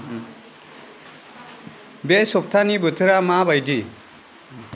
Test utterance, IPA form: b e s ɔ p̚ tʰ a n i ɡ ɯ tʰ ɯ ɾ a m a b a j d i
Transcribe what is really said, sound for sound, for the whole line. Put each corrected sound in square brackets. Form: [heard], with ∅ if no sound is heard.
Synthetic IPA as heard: b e s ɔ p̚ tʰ a n i [b] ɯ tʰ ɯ ɾ a m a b a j d i